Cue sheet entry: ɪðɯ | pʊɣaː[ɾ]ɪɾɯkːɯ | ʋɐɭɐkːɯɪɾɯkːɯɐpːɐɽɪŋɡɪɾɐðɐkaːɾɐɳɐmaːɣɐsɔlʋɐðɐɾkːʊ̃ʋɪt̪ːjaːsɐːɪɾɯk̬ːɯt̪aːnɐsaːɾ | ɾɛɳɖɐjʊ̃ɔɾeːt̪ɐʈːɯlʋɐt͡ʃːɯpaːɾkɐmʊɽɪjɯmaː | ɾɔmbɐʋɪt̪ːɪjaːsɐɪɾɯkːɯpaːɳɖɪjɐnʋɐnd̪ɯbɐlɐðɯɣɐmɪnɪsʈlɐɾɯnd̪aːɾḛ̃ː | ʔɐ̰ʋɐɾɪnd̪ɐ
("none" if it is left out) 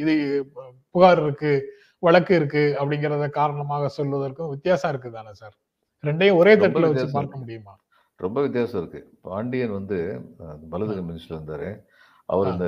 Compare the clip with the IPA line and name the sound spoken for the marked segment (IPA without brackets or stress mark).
ɾ